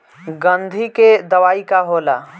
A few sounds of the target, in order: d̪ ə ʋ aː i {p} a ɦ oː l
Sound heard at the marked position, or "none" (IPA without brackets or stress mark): k